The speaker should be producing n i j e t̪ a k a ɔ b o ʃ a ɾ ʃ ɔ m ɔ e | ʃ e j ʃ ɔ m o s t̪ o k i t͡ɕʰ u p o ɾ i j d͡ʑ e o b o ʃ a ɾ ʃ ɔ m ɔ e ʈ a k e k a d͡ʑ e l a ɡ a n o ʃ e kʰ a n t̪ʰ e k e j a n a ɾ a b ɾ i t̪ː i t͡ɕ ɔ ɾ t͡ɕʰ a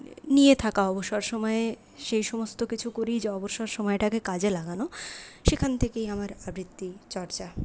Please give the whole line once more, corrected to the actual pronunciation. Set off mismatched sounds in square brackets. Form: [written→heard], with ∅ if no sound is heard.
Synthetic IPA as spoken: n i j e [t̪→t̪ʰ] a k a ɔ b o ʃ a ɾ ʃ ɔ m ɔ e | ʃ e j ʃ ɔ m o s t̪ o k i t͡ɕʰ u [p→k] o ɾ i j d͡ʑ e [o→ɔ] b o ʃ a ɾ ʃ ɔ m ɔ e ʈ a k e k a d͡ʑ e l a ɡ a n o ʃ e kʰ a n t̪ʰ e k e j a [n→m] a ɾ a b ɾ i t̪ː i t͡ɕ ɔ ɾ [t͡ɕʰ→t͡ɕ] a